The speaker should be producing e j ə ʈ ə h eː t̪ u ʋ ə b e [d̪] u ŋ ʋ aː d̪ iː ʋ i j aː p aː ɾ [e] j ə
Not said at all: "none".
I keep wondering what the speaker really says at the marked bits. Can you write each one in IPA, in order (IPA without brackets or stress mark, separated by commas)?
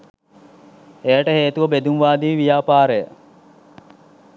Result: d̪, e